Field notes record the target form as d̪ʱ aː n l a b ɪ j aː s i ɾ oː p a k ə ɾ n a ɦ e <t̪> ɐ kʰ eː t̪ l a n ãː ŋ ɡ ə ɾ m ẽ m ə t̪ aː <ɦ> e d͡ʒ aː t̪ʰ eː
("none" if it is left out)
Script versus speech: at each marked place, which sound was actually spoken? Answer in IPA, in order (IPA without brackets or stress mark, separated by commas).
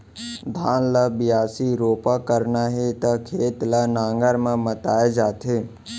t̪, none